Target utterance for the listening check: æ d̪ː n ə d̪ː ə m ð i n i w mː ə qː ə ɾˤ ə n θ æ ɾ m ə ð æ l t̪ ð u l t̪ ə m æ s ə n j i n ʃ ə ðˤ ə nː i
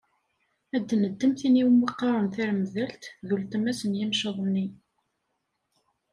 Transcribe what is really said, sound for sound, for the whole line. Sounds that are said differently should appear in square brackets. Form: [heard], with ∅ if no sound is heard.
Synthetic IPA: æ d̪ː n ə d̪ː ə m [θ] i n i w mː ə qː [ɑ] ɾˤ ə n θ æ ɾ m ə ð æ l t̪ ð u l t̪ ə m æ s ə n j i [m] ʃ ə ðˤ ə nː i